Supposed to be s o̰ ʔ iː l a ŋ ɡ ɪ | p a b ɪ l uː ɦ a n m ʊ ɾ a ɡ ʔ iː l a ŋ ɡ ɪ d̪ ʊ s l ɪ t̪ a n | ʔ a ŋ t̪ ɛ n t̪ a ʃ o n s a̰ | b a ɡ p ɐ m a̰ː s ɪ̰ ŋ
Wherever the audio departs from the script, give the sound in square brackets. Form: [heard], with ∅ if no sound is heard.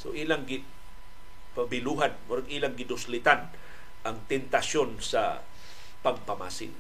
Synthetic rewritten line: s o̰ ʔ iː l a ŋ ɡ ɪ | p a b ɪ l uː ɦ a n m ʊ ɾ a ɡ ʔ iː l a ŋ ɡ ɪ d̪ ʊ s l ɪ t̪ a n | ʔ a ŋ t̪ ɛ n t̪ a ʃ o n s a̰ | [p] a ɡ p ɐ m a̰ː s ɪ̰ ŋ